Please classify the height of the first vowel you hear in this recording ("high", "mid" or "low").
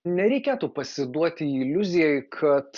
mid